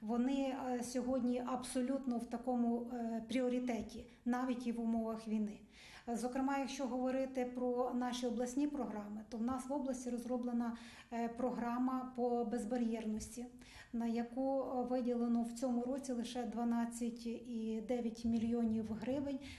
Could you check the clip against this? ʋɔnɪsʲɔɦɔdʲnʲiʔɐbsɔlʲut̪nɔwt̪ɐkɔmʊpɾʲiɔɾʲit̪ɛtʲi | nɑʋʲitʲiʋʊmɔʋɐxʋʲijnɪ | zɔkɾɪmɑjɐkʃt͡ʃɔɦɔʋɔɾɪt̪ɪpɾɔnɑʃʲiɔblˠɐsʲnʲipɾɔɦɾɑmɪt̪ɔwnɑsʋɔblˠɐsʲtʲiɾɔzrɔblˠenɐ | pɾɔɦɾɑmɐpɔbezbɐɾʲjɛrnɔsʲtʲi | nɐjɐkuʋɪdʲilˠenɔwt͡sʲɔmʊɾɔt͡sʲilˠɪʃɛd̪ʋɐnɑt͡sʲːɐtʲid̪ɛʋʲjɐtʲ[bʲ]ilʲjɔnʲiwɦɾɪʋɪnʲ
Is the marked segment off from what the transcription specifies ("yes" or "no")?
yes